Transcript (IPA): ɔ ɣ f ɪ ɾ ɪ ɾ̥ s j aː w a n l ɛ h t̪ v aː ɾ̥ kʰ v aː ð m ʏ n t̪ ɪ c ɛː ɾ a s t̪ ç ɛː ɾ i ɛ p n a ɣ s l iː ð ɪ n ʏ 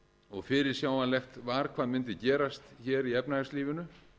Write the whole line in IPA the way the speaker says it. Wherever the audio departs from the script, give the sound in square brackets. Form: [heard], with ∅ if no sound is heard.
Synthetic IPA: ɔ ɣ f ɪ ɾ ɪ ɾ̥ s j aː w a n l ɛ [x] t̪ v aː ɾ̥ kʰ v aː ð m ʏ n t̪ ɪ c ɛː ɾ a s t̪ ç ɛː ɾ i ɛ p n a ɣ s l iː [v] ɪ n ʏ

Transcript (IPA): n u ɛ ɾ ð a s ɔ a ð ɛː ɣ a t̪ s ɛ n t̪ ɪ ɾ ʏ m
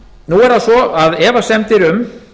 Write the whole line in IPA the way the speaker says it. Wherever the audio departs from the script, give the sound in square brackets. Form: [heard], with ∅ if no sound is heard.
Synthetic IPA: n u ɛ ɾ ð a s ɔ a ð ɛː [v] a [∅] s ɛ [m] t̪ ɪ ɾ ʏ m

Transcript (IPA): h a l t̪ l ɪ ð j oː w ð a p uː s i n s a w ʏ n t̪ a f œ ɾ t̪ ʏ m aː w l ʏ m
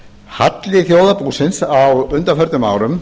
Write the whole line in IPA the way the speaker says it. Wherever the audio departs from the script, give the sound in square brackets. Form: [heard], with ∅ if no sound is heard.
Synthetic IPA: h a [∅] t̪ l ɪ [θ] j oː w ð a p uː s [ɪ] n s a w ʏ n t̪ a f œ ɾ t̪ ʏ m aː w [ɾ] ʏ m

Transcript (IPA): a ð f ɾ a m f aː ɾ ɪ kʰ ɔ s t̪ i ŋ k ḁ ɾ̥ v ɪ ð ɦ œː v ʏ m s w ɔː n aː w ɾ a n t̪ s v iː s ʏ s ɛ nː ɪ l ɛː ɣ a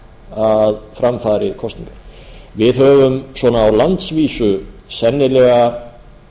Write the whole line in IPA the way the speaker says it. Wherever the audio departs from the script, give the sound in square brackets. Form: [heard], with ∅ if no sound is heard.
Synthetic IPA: a ð f ɾ a m f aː ɾ ɪ kʰ ɔ s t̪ i ŋ k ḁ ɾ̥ v ɪ ð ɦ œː v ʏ m s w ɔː n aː w [l] a n t̪ s v iː s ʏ s ɛ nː ɪ l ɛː ɣ a

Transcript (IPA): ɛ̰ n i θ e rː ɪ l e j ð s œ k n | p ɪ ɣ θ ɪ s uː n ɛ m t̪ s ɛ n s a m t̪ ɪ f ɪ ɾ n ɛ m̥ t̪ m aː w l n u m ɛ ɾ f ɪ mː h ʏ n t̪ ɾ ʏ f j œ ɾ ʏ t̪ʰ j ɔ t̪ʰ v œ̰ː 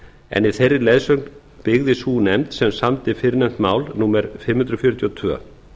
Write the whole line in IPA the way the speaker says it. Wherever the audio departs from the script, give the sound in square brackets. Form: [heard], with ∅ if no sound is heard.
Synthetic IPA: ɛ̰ n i θ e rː ɪ l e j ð s œ k n | p ɪ ɣ [ð] ɪ s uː n ɛ m t̪ s ɛ [m] s a m t̪ ɪ f ɪ ɾ n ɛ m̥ t̪ m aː w l n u m ɛ ɾ f ɪ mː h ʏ n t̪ ɾ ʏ f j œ ɾ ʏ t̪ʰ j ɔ t̪ʰ v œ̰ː

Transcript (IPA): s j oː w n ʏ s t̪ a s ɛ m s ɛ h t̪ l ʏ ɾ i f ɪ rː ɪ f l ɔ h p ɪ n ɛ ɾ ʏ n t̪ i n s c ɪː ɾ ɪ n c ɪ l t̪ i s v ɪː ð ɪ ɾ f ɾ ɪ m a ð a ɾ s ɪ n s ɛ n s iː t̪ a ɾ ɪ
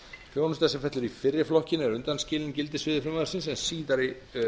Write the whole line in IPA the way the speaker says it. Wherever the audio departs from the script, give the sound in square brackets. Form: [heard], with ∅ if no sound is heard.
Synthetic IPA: [f] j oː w n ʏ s t̪ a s ɛ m [f] ɛ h t̪ l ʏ ɾ i f ɪ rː ɪ f l ɔ h [c] ɪ n ɛ ɾ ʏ n t̪ [a] n s c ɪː [l] ɪ n c ɪ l t̪ [ɪ] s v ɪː ð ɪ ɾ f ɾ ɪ m a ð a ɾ s ɪ n s ɛ n s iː t̪ a ɾ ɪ

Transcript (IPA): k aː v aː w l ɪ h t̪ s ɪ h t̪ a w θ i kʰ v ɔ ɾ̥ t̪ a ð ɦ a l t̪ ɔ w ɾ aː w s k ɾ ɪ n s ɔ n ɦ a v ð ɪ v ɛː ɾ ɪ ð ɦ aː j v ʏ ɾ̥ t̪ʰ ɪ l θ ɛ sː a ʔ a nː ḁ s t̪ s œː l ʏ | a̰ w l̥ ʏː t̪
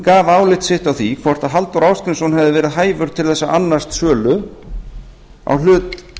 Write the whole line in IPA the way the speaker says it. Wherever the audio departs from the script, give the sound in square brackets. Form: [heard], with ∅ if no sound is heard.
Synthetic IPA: k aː v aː w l ɪ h t̪ s ɪ h t̪ a w θ i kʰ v ɔ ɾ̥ t̪ a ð ɦ a l t̪ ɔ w ɾ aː w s k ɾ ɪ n s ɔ n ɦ [ɛ] v ð ɪ v ɛː ɾ ɪ ð ɦ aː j v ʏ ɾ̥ t̪ʰ ɪ l θ ɛ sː a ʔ a nː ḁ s t̪ s œː l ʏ | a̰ w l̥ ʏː t̪

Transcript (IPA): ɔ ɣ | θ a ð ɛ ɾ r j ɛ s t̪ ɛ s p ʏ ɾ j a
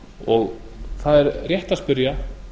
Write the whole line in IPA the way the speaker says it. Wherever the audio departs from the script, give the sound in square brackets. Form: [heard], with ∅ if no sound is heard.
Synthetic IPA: ɔ ɣ | θ a ð ɛ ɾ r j ɛ [h] t̪ [a] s p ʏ ɾ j a

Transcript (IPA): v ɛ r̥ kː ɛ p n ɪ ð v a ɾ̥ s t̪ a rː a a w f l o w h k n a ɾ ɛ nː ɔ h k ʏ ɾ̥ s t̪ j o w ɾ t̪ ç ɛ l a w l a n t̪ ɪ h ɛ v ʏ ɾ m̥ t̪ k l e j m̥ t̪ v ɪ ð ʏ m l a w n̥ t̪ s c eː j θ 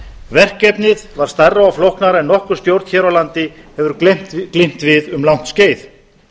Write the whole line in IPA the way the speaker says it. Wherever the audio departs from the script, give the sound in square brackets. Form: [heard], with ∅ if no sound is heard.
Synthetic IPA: v ɛ r̥ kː ɛ p n ɪ ð v a ɾ̥ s t̪ a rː a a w f l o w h k n a ɾ ɛ nː ɔ h k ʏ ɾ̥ s t̪ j o w ɾ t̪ ç ɛ [ɾ] a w l a n t̪ ɪ h ɛ v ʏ ɾ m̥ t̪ k l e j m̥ t̪ v ɪ ð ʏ m l a w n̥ t̪ s c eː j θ

